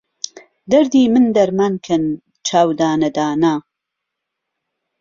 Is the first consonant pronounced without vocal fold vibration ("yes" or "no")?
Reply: no